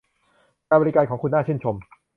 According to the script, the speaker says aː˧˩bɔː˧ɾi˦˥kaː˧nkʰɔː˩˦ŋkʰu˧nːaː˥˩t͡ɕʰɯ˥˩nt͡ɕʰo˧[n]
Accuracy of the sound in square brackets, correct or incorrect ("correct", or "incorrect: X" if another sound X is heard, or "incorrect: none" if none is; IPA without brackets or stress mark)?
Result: incorrect: m